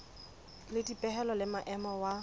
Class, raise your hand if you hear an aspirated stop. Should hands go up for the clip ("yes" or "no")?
no